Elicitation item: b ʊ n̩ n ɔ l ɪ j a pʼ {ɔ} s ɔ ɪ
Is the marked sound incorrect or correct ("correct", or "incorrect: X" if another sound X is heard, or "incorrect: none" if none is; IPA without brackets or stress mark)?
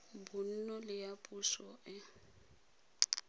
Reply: incorrect: u